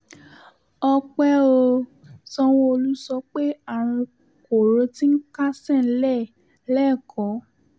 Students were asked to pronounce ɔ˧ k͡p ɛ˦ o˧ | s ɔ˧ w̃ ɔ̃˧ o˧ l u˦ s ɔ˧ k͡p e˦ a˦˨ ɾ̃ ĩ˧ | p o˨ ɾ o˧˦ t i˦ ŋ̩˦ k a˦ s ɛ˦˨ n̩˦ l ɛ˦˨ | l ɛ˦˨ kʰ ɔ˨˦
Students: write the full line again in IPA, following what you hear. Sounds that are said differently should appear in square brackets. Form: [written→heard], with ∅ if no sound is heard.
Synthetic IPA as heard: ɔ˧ k͡p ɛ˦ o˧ | s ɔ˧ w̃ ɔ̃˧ o˧ l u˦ s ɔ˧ k͡p e˦ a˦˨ ɾ̃ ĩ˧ | [p→k] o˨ ɾ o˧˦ t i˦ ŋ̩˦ k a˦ s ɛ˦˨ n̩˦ l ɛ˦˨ | l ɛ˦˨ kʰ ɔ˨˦

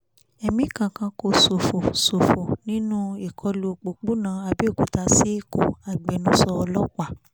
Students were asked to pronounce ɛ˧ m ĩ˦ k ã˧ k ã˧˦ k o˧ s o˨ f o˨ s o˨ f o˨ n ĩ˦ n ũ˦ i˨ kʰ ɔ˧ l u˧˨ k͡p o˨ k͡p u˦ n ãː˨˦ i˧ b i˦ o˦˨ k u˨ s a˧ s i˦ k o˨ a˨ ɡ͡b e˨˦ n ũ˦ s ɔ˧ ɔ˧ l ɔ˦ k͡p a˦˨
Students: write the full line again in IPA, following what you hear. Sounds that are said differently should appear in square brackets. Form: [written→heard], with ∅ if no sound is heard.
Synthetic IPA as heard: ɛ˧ m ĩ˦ k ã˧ k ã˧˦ k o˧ s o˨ f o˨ s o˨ f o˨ n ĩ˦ n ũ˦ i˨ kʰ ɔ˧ l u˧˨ k͡p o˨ k͡p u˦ n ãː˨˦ [i˧→a˧] b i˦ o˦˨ k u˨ [s→t] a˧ s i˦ k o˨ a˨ ɡ͡b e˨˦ n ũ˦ s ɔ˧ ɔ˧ l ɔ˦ k͡p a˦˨

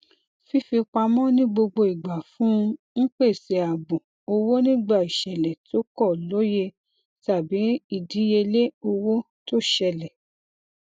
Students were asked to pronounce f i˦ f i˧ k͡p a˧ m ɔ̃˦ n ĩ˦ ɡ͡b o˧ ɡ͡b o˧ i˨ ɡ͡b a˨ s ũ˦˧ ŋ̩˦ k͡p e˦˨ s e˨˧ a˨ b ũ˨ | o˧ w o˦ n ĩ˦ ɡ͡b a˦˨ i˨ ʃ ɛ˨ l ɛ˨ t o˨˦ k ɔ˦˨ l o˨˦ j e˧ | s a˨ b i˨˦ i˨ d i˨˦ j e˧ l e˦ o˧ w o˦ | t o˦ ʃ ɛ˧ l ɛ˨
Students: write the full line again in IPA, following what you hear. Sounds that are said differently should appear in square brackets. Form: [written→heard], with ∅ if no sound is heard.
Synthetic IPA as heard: f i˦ f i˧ k͡p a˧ m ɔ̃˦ n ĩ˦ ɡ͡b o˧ ɡ͡b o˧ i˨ ɡ͡b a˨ [s→f] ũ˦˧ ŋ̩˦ k͡p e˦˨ s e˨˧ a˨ b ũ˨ | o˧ w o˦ n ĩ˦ ɡ͡b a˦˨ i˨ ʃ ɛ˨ l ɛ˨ t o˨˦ k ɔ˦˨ l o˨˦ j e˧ | [s→t] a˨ b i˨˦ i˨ d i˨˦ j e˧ l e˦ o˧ w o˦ | t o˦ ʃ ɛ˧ l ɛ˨

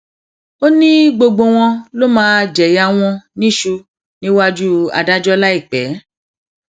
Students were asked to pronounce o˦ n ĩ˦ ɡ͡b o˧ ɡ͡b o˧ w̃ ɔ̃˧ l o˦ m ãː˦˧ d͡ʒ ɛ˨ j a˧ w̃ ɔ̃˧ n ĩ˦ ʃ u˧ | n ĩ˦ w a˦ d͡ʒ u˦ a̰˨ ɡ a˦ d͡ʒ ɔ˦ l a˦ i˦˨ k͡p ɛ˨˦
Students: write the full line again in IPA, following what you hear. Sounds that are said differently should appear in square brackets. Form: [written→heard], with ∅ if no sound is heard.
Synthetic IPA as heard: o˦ n ĩ˦ ɡ͡b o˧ ɡ͡b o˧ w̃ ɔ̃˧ l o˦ m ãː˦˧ d͡ʒ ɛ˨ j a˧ w̃ ɔ̃˧ n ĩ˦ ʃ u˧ | n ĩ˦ w a˦ d͡ʒ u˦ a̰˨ [ɡ→d] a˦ d͡ʒ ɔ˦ l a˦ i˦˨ k͡p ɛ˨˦

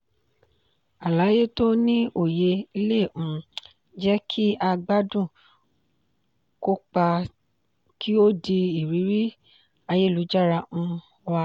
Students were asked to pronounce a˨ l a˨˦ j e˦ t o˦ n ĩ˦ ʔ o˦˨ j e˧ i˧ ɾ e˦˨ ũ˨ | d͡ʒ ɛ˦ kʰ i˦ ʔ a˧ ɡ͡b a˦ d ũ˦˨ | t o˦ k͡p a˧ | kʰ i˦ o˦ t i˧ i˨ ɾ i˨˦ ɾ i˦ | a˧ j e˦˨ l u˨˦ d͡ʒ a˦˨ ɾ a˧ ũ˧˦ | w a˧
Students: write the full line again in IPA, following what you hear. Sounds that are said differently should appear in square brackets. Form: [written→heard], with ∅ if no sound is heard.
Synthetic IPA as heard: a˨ l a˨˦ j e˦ t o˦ n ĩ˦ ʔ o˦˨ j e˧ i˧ [ɾ→l] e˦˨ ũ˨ | d͡ʒ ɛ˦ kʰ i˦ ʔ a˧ ɡ͡b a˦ d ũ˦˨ | [t→k] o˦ k͡p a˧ | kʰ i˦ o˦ [t→d] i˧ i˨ ɾ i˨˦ ɾ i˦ | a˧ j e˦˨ l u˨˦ d͡ʒ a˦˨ ɾ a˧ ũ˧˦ | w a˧

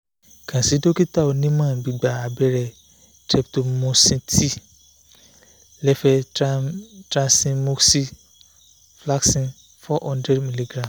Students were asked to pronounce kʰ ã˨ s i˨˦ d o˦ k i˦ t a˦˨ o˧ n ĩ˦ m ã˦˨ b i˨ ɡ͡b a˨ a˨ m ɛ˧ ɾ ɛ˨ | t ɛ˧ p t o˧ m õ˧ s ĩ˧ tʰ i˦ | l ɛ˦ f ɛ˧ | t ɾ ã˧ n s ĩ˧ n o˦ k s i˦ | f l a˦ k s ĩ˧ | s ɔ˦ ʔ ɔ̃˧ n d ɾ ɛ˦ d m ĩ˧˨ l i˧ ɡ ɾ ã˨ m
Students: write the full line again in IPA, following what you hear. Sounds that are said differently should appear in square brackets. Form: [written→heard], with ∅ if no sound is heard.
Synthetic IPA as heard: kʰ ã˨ s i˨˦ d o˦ k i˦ t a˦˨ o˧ n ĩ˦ m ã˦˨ b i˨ ɡ͡b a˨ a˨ [m→b] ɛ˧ ɾ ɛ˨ | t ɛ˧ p t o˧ m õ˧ s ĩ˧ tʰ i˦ | l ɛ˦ f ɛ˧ | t ɾ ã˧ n s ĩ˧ [n→m] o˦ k s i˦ | f l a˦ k s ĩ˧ | [s→f] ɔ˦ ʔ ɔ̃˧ n d ɾ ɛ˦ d m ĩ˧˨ l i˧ ɡ ɾ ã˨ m

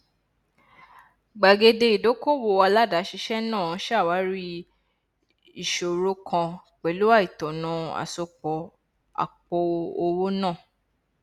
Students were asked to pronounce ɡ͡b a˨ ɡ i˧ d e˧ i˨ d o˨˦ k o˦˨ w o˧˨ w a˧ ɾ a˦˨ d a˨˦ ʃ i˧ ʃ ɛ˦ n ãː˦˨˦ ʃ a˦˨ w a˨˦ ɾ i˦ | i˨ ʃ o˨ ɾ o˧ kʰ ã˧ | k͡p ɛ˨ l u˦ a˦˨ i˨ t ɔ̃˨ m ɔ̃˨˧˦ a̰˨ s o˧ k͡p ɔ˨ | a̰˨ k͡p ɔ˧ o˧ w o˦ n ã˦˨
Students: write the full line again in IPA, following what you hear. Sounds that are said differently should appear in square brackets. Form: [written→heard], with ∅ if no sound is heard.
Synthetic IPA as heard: ɡ͡b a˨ ɡ [i˧→e˧] d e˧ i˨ d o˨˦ k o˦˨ w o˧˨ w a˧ [ɾ→l] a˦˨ d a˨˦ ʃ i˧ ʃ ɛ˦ n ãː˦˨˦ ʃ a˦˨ w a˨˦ ɾ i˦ | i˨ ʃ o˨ ɾ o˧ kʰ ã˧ | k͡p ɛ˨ l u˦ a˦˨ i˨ t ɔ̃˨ [m→n] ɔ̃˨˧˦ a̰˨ s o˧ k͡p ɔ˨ | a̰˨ k͡p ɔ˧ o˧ w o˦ n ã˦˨

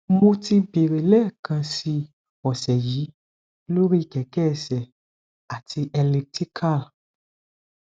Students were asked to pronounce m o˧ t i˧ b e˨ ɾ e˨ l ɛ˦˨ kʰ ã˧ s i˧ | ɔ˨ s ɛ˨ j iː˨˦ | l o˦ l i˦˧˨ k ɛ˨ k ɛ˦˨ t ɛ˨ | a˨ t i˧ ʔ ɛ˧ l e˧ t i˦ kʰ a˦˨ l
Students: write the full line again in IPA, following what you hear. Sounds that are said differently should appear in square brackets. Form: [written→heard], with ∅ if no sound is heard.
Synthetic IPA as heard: m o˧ t i˧ b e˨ ɾ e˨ l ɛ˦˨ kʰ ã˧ s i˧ | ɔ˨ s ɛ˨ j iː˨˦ | l o˦ [l→ɾ] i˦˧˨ k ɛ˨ k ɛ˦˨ [t→s] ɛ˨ | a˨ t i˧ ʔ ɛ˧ l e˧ t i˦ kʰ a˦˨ l

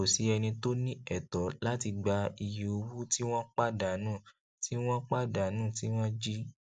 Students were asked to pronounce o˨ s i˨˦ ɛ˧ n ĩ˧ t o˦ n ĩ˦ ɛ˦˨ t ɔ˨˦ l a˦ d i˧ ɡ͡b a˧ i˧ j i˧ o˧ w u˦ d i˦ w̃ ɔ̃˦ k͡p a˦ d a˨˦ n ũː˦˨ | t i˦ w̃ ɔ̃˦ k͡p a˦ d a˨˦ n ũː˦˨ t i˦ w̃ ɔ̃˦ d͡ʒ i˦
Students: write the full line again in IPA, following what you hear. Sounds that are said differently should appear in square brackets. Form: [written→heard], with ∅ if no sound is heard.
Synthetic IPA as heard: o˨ s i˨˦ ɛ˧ n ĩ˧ t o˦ n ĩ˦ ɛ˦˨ t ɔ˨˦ l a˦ [d→t] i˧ ɡ͡b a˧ i˧ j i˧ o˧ w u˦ [d→t] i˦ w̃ ɔ̃˦ k͡p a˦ d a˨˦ n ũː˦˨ | t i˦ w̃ ɔ̃˦ k͡p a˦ d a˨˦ n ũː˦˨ t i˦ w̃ ɔ̃˦ d͡ʒ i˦

